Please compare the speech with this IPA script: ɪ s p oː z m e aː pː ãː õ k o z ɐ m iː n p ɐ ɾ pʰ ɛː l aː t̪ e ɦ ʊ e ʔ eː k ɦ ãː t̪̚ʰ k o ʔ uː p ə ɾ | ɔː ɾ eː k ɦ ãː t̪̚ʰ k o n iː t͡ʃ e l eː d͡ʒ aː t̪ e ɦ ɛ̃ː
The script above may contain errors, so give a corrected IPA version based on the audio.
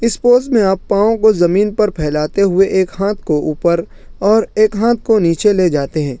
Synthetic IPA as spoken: ɪ s p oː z m ẽ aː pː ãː õ k o z ɐ m iː n p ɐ ɾ pʰ ɛː l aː t̪ e ɦ ʊ e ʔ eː k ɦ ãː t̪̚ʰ k o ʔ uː p ə ɾ | ɔː ɾ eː k ɦ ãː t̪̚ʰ k o n iː t͡ʃ e l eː d͡ʒ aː t̪ e ɦ ɛ̃ː